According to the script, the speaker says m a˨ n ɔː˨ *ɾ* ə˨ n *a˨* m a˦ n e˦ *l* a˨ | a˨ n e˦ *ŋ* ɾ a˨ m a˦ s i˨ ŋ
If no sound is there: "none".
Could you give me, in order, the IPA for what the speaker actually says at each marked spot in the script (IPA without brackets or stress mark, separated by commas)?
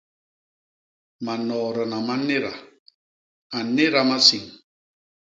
ɾ, a˨, ɾ, none